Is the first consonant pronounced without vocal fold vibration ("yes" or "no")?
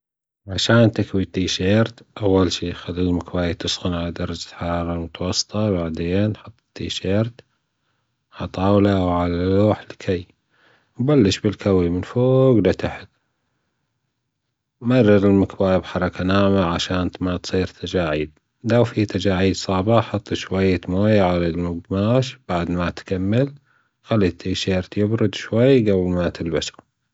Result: no